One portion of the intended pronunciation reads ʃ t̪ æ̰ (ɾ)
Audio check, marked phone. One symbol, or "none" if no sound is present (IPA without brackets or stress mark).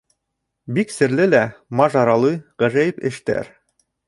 ɾ